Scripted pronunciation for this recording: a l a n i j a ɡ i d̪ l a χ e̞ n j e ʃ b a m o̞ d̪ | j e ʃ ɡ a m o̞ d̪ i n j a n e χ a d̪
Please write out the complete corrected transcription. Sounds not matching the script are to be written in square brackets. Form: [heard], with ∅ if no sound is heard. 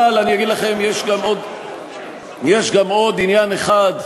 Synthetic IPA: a l a n i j a ɡ i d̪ l a χ e̞ [m] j e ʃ [ɡ] a m o̞ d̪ | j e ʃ ɡ a m o̞ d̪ i n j a n e χ a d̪